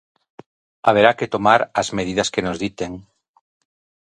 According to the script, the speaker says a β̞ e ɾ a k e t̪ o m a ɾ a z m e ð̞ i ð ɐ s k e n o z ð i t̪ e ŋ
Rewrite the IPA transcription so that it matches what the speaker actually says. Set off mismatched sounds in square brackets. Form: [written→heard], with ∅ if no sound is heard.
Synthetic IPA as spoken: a β̞ e ɾ a k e t̪ o m a ɾ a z m e ð̞ i ð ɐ s k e n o z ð i t̪ e ŋ